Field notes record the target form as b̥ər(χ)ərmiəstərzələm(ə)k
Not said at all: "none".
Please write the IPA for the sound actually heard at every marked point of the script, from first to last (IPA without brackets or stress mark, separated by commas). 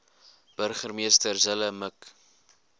χ, ə